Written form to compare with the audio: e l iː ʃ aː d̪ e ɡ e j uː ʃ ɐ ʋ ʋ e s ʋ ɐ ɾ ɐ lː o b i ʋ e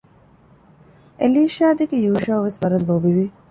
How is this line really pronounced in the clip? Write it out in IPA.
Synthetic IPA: e l iː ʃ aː d̪ e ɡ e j uː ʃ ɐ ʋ ʋ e s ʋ ɐ ɾ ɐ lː o b i ʋ i